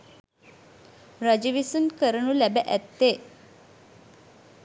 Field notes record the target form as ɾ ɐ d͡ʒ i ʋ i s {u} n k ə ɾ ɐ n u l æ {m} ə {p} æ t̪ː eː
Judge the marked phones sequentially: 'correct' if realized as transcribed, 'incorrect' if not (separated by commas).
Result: correct, incorrect, incorrect